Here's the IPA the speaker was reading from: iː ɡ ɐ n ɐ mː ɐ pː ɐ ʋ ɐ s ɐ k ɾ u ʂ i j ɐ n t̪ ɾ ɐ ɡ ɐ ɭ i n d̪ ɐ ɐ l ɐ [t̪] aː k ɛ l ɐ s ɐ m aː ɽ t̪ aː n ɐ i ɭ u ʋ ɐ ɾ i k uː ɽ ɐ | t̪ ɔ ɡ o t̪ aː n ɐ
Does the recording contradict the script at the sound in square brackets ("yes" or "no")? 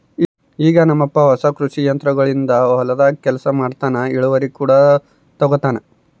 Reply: yes